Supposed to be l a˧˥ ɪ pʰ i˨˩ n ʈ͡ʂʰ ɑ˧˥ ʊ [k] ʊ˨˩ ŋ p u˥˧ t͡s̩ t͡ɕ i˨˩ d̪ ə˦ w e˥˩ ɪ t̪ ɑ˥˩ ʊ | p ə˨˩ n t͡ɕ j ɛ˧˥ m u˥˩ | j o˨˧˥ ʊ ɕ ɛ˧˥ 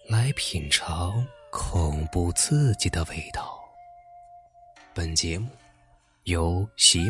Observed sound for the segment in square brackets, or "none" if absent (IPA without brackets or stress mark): kʰ